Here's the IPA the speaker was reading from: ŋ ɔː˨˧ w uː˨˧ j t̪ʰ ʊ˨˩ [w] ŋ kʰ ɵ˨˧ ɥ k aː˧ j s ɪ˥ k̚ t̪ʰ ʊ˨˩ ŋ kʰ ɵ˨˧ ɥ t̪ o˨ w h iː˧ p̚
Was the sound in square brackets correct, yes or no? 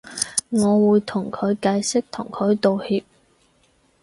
no